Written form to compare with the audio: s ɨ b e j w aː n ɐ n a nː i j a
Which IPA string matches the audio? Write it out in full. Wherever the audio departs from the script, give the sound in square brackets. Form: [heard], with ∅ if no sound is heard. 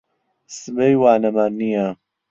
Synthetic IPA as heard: s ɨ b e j w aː n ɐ [m] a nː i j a